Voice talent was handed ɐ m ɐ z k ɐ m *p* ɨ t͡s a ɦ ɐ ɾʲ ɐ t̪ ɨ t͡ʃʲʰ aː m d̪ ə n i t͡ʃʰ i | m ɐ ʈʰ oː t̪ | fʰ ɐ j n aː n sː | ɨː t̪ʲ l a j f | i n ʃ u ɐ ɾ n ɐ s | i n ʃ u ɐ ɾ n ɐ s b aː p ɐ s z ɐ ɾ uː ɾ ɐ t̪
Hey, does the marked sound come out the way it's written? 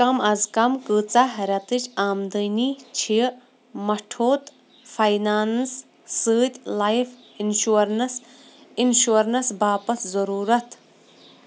no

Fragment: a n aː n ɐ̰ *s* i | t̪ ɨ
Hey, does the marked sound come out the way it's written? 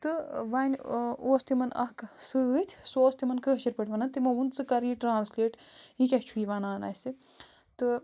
yes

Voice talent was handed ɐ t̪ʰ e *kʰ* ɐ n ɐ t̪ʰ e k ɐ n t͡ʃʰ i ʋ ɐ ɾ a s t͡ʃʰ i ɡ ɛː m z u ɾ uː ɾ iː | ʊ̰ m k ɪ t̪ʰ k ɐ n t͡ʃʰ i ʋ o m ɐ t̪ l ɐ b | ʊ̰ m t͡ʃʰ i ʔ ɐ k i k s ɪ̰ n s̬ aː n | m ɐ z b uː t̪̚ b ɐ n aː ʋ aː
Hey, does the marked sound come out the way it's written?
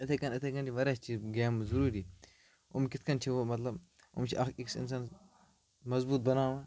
no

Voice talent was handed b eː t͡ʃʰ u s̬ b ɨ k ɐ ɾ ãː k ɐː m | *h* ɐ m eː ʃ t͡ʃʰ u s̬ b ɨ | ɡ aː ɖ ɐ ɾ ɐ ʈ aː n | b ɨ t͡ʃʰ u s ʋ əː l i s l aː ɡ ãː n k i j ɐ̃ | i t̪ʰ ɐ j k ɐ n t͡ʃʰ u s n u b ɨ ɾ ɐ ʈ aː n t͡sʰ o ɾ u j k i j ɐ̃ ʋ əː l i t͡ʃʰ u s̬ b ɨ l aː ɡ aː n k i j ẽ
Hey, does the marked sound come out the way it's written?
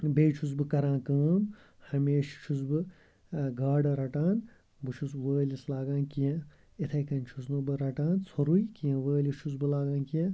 yes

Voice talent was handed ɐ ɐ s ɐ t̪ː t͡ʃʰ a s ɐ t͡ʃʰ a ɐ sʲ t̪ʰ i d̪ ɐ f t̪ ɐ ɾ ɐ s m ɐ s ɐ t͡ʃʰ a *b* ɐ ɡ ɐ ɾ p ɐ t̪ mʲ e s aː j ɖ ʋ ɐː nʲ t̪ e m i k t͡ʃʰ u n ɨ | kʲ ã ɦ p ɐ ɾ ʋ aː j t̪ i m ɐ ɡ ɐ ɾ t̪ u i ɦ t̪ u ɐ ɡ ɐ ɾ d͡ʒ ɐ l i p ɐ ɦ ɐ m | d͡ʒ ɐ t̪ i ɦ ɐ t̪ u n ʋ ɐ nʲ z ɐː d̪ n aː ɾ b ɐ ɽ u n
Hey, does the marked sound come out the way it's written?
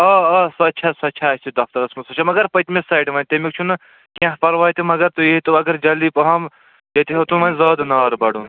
no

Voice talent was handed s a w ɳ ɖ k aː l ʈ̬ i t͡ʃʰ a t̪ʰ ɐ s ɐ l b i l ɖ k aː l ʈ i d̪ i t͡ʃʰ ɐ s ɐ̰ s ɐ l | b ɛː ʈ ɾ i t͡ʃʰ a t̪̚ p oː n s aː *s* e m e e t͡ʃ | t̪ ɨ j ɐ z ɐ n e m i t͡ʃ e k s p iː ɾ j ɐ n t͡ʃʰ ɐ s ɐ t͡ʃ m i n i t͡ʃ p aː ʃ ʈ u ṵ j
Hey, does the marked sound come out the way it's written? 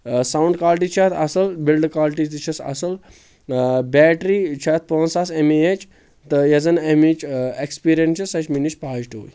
yes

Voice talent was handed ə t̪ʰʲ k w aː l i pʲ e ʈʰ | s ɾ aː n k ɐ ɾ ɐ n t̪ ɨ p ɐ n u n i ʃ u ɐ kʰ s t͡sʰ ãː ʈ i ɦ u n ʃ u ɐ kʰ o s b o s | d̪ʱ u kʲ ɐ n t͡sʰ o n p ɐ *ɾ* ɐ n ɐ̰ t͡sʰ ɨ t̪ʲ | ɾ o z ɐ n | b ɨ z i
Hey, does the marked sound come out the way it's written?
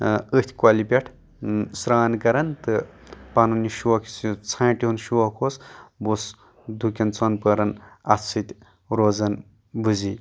yes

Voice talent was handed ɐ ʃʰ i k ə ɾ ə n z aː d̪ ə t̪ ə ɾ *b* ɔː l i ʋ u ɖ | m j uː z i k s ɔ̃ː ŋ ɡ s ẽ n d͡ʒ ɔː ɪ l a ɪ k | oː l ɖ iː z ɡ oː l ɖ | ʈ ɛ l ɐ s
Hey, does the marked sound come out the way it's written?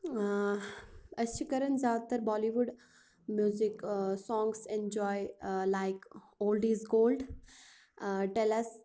yes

